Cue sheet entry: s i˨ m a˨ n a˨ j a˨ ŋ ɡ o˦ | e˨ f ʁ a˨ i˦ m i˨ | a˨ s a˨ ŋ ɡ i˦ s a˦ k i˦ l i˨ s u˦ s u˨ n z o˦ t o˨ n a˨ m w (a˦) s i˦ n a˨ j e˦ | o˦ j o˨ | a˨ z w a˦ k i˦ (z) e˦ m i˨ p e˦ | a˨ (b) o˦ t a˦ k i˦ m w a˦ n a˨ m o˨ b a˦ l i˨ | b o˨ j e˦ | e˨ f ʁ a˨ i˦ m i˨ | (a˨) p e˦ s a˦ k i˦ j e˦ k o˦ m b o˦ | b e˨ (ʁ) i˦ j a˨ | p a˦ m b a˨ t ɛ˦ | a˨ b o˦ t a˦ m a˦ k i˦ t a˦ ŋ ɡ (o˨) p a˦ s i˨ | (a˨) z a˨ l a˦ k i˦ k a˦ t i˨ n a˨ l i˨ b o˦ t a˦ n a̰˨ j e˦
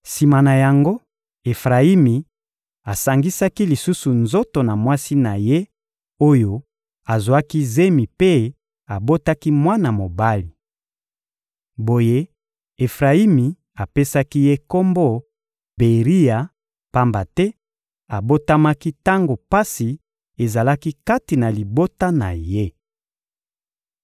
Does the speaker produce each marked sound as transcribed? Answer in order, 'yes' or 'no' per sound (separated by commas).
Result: yes, yes, yes, yes, yes, yes, no